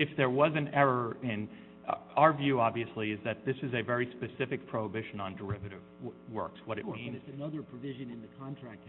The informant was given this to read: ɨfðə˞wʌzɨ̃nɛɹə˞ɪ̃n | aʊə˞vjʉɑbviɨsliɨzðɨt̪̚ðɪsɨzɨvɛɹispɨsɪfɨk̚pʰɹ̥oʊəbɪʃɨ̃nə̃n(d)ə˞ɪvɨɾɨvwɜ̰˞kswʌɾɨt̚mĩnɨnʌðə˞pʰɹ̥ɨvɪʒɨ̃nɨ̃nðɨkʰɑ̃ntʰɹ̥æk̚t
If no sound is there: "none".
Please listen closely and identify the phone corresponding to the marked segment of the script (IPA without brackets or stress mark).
d